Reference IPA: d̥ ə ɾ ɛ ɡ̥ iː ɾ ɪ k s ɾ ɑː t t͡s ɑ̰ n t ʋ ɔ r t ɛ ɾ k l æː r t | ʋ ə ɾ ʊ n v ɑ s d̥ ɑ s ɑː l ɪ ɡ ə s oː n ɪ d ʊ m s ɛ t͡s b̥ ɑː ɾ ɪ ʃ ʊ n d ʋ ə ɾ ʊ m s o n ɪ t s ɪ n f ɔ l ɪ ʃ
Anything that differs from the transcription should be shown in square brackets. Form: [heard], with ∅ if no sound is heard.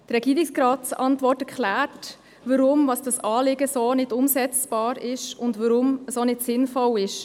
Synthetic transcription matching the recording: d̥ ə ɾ ɛ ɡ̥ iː ɾ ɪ k s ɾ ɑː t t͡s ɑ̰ n t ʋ ɔ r t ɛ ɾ k l æː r t | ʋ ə ɾ ʊ [m] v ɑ s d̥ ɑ s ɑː l ɪ ɡ ə s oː n ɪ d ʊ m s ɛ t͡s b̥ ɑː ɾ ɪ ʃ ʊ n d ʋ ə ɾ ʊ m s o n ɪ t s ɪ n f ɔ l ɪ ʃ